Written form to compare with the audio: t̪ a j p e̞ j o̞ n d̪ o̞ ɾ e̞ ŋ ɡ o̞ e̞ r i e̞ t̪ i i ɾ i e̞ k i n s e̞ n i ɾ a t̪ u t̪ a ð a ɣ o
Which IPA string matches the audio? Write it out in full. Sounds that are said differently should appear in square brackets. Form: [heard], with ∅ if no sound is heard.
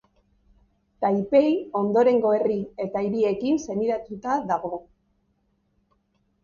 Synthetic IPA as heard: t̪ a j p e̞ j o̞ n d̪ o̞ ɾ e̞ ŋ ɡ o̞ e̞ r i e̞ t̪ [a] i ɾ i e̞ k i n s e̞ n i ɾ a t̪ u t̪ a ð a ɣ o